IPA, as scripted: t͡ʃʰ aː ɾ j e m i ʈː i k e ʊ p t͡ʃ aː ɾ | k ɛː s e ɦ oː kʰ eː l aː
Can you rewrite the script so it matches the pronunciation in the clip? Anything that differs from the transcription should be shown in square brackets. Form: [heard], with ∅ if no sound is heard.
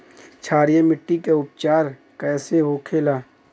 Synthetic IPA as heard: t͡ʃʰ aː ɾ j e m [ɪ] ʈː i k e ʊ p t͡ʃ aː ɾ | k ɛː s e ɦ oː kʰ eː l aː